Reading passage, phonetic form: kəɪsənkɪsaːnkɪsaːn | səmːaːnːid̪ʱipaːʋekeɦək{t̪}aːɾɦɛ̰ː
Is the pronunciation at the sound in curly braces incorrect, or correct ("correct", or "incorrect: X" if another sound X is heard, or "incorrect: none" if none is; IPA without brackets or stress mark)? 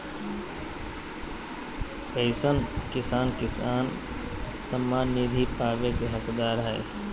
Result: incorrect: d̪